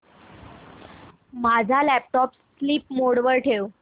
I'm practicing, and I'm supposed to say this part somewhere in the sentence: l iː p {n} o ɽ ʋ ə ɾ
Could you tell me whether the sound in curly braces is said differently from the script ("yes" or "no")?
yes